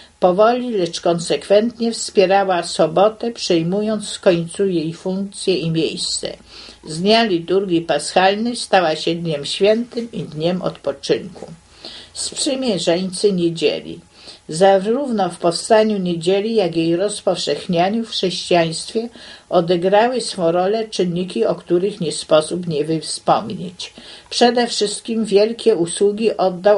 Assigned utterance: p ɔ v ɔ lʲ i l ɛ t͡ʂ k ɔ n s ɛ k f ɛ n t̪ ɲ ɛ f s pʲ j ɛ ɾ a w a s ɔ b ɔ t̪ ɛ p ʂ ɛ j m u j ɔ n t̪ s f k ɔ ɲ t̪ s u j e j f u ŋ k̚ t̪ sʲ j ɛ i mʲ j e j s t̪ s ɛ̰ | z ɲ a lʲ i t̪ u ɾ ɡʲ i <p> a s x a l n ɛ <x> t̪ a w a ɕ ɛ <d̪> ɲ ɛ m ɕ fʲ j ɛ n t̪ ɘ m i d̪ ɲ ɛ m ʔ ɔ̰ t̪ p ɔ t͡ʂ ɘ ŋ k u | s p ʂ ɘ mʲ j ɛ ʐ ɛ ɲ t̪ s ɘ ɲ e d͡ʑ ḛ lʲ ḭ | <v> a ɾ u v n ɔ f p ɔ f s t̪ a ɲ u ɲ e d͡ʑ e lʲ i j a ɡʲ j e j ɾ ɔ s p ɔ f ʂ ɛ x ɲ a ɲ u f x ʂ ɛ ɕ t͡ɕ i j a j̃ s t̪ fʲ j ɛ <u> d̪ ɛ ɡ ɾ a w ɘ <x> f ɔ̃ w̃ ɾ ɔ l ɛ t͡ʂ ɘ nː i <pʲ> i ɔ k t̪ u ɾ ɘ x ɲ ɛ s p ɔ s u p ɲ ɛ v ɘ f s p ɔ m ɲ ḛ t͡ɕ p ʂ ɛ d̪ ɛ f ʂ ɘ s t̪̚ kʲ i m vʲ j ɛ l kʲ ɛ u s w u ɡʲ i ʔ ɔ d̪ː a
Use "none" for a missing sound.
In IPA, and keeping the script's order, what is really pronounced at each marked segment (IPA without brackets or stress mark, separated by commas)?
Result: p, s, d̪, z, ɔ, s, kʲ